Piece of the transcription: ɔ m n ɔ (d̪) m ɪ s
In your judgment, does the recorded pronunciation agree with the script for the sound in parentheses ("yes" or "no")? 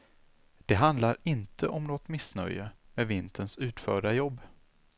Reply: no